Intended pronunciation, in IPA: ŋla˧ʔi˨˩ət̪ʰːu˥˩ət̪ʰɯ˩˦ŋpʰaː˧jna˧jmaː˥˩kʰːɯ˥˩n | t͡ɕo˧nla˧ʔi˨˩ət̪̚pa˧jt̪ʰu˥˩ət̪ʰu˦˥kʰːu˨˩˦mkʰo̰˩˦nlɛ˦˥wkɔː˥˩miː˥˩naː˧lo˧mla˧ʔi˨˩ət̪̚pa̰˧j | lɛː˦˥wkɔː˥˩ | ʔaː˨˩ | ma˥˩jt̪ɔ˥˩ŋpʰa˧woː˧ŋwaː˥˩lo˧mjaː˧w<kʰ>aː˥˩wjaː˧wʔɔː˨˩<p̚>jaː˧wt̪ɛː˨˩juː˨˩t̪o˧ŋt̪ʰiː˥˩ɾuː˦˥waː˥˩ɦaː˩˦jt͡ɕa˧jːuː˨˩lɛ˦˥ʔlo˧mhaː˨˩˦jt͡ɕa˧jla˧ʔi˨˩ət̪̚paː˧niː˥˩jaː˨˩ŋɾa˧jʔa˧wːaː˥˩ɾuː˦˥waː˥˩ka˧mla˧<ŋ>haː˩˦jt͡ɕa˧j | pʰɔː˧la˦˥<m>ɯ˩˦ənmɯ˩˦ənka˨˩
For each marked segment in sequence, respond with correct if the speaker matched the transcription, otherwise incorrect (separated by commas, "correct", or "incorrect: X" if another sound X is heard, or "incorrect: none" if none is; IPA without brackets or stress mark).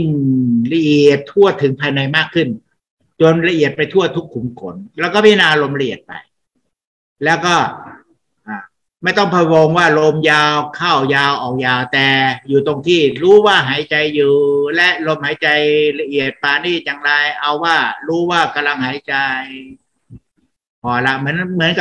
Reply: correct, incorrect: k̚, correct, correct